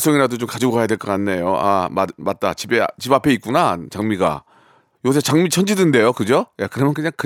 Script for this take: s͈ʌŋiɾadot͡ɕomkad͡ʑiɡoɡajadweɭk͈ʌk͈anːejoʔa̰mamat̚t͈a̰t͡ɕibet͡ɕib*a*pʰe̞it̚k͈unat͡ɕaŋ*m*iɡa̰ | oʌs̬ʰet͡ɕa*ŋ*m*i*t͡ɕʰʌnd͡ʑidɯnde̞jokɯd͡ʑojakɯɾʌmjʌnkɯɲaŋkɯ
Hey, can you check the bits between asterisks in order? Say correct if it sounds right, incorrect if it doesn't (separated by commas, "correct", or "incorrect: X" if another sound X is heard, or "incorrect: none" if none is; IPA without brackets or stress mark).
correct, correct, correct, correct